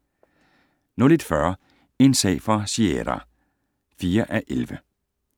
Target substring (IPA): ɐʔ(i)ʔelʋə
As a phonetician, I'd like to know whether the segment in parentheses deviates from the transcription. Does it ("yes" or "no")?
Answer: yes